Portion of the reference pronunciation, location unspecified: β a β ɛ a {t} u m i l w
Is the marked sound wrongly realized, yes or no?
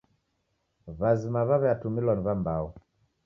no